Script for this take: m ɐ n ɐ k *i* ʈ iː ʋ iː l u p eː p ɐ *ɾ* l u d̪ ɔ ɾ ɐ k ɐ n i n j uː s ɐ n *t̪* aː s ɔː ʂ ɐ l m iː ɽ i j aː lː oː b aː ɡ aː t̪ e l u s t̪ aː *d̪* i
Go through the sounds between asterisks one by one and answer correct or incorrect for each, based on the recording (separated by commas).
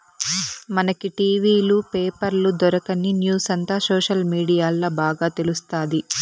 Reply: correct, correct, correct, correct